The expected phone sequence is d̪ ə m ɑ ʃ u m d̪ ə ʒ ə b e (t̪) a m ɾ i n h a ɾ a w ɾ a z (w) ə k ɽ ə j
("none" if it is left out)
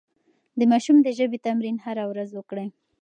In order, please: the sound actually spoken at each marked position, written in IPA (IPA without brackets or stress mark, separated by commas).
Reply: t̪, w